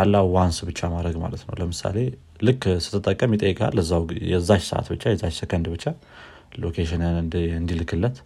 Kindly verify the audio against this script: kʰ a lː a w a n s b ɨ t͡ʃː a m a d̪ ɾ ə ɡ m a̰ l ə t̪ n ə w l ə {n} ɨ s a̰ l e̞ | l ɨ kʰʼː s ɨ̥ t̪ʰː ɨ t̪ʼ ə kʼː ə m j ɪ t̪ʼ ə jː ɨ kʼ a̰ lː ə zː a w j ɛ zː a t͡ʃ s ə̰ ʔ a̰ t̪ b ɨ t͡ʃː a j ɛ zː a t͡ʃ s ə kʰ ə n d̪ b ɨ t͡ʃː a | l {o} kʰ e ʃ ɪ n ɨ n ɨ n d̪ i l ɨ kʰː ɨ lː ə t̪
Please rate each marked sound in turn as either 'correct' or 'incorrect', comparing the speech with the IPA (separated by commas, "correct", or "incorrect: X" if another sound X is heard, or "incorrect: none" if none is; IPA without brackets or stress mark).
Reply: incorrect: m, correct